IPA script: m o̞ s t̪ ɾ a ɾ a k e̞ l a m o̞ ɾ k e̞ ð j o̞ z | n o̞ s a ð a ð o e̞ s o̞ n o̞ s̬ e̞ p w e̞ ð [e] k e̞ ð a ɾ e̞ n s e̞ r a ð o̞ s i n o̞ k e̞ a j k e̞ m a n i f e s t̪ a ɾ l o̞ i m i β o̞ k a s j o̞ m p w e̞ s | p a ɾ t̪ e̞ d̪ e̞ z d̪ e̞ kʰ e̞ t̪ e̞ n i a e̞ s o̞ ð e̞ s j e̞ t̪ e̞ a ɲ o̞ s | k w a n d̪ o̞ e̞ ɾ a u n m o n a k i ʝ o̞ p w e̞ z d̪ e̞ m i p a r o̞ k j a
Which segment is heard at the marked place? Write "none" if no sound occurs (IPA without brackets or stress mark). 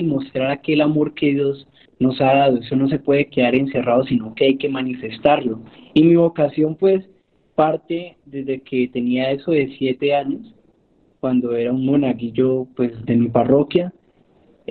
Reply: e